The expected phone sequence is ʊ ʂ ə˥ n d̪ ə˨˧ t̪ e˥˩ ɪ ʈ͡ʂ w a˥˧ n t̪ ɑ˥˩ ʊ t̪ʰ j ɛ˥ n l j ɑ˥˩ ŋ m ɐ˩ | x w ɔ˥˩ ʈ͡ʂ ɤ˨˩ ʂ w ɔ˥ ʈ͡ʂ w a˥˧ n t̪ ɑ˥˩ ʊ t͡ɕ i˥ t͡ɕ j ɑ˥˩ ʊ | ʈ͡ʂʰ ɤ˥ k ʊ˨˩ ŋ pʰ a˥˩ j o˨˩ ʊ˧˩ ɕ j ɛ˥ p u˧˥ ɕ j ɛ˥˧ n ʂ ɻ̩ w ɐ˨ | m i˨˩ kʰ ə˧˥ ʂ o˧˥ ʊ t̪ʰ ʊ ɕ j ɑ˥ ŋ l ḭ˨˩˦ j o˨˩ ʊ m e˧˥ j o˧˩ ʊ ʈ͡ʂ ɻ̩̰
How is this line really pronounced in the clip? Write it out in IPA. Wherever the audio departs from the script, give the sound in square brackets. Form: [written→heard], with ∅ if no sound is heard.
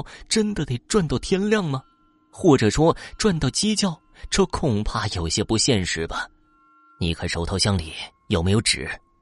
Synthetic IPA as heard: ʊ [ʂ→ʈ͡ʂ] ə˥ n d̪ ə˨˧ t̪ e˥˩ ɪ ʈ͡ʂ w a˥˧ n t̪ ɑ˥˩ ʊ t̪ʰ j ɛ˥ n l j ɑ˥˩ ŋ m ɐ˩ | x w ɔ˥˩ ʈ͡ʂ ɤ˨˩ ʂ w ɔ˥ ʈ͡ʂ w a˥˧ n t̪ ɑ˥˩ ʊ t͡ɕ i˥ t͡ɕ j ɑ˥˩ ʊ | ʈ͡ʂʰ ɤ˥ [k→kʰ] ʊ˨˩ ŋ pʰ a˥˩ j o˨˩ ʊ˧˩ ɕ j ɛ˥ p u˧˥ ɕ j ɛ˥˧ n ʂ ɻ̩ [w→b] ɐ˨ | [m→n] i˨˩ kʰ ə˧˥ ʂ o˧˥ ʊ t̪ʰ ʊ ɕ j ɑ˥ ŋ l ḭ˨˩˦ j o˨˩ ʊ m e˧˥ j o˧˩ ʊ ʈ͡ʂ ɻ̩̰